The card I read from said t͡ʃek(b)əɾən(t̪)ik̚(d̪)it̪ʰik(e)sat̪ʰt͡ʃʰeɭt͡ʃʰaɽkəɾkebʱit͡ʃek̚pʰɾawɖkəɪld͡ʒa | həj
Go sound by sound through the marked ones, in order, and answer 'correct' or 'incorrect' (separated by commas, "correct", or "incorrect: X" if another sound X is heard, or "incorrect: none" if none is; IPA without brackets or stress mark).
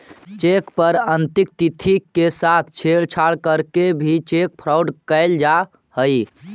incorrect: p, correct, incorrect: t̪, correct